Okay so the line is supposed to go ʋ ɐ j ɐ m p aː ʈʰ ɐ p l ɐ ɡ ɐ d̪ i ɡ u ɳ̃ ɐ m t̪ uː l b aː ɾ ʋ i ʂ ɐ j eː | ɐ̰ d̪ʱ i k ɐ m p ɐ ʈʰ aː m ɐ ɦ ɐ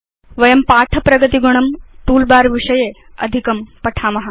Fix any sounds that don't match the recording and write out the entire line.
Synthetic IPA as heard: ʋ ɐ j ɐ m p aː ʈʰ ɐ p ɾ ɐ ɡ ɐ t̪ i ɡ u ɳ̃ ɐ m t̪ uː l b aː ɾ ʋ i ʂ ɐ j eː | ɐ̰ d̪ʱ i k ɐ m p ɐ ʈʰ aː m ɐ ɦ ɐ